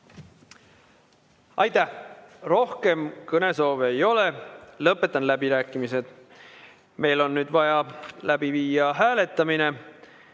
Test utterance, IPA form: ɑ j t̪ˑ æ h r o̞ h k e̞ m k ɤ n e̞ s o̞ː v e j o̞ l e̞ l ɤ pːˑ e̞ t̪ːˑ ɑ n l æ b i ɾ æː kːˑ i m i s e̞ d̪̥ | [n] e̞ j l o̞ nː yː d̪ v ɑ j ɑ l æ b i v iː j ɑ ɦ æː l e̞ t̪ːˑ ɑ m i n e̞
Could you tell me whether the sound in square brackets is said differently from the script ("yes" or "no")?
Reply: yes